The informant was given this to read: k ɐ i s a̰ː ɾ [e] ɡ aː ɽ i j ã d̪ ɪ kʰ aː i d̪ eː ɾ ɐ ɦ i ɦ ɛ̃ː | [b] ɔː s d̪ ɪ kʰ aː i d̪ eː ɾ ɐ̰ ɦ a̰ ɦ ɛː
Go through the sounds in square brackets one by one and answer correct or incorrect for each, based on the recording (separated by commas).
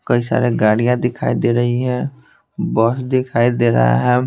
correct, correct